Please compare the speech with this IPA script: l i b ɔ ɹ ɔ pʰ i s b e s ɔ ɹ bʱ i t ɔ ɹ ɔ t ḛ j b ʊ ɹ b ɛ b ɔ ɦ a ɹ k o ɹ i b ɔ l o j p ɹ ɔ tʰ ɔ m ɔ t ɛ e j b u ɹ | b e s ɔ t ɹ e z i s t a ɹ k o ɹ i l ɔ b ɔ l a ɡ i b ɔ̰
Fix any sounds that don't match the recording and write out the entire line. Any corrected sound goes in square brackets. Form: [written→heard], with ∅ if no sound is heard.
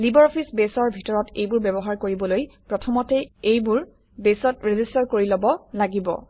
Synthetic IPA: l i b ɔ ɹ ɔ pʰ i s b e s ɔ ɹ bʱ i t ɔ ɹ ɔ t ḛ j b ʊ ɹ b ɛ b ɔ ɦ a ɹ k o ɹ i b ɔ l o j p ɹ ɔ tʰ ɔ m ɔ t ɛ e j b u ɹ | b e s ɔ t ɹ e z i s t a ɹ k o ɹ i l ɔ b ɔ l a ɡ i b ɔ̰